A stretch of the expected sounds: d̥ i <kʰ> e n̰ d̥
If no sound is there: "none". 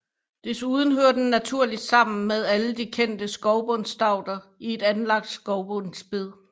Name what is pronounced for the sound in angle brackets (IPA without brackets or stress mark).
kʰ